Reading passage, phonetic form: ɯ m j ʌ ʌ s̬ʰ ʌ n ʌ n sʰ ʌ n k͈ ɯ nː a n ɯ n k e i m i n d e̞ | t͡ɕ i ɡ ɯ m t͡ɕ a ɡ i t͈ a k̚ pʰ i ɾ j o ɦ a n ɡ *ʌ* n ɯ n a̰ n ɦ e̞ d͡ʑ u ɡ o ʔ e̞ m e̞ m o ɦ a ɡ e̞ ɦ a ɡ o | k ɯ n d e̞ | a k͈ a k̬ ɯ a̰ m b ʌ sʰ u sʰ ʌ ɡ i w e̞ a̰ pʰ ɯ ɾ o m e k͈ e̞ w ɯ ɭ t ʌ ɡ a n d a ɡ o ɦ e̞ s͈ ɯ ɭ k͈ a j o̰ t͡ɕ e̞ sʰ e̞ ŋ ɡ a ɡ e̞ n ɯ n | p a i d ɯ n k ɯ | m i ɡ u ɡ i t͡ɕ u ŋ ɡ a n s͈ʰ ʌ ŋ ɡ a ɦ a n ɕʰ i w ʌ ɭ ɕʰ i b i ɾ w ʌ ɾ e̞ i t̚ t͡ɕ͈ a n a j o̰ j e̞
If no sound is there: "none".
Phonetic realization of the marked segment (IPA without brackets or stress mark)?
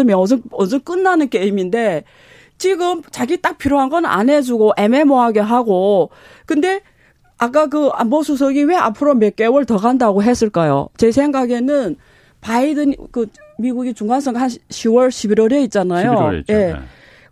ʌ